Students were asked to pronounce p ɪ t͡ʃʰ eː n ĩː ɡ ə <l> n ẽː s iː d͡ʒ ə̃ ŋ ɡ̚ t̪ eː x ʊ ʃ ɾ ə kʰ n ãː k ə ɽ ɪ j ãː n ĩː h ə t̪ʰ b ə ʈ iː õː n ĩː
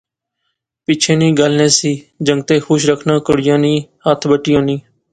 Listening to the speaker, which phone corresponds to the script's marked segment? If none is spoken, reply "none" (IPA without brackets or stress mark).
l